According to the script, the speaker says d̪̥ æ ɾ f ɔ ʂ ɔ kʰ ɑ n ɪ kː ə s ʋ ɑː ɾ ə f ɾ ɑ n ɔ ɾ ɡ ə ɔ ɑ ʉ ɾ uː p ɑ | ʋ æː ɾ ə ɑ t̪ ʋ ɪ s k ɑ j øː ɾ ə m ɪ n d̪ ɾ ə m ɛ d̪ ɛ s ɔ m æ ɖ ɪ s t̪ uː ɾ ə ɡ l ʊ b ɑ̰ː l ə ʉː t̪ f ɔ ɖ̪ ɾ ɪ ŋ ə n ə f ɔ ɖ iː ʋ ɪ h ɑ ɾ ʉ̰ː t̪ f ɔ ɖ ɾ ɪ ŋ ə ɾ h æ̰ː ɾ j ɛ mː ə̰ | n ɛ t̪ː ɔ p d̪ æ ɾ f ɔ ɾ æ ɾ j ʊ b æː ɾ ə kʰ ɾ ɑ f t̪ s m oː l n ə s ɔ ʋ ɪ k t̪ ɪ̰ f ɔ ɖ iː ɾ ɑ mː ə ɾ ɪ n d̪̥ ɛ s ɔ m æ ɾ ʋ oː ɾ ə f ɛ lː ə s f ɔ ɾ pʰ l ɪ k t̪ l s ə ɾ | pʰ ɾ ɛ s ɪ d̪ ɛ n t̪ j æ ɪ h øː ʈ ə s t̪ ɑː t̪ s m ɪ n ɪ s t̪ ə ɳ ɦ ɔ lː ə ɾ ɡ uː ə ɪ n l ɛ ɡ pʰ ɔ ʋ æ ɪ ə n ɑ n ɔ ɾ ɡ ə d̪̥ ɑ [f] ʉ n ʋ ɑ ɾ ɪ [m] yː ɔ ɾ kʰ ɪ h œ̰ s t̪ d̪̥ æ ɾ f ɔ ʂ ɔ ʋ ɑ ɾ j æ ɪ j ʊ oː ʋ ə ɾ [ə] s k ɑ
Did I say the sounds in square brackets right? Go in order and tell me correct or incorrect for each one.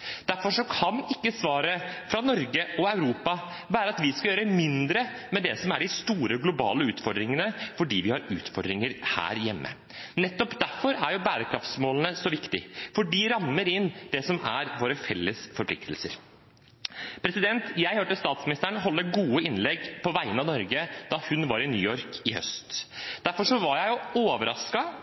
incorrect: h, incorrect: n, incorrect: ɑ

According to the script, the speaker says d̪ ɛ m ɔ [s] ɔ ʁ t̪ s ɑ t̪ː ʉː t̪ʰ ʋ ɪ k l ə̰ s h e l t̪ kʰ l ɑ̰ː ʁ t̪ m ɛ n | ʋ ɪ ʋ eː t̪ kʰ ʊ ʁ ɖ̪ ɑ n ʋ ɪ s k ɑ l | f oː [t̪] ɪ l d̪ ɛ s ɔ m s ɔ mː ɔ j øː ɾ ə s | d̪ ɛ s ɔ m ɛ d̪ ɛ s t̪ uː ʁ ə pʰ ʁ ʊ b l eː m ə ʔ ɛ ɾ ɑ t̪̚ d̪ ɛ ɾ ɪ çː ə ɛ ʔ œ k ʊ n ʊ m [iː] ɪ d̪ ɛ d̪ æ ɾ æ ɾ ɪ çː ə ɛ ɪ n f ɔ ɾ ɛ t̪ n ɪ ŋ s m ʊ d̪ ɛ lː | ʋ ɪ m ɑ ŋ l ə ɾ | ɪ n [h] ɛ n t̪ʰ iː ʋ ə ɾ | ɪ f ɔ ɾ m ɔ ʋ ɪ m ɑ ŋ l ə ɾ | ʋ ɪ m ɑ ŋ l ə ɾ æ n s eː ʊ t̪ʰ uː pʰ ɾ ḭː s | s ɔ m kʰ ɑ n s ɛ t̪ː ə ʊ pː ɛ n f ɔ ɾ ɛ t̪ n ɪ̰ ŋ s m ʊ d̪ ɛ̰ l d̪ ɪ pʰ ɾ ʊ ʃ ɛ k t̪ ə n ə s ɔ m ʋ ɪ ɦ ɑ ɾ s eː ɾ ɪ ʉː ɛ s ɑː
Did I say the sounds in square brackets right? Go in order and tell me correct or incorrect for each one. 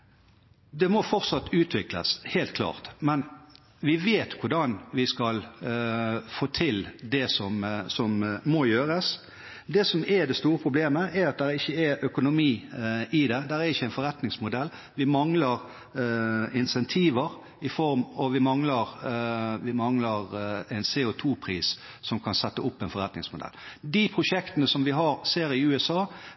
incorrect: f, incorrect: t̪ʰ, correct, incorrect: s

